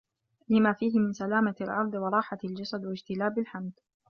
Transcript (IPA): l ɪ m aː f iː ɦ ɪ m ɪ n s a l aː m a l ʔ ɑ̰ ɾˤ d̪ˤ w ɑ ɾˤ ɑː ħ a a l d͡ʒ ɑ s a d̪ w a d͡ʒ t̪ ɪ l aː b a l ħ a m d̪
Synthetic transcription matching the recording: l ɪ m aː f iː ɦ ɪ m ɪ n s a l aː m a l ʔ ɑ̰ ɾˤ d̪ˤ w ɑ ɾˤ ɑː ħ a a l d͡ʒ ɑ s a d̪ w a d͡ʒ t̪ ɪ l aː b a l ħ a m d̪